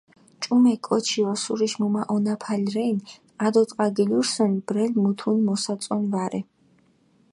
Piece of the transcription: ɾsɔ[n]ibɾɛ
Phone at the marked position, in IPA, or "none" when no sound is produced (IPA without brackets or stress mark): n